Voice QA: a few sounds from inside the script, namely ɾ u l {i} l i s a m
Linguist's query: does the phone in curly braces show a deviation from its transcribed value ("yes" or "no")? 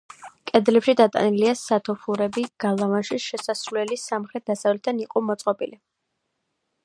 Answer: yes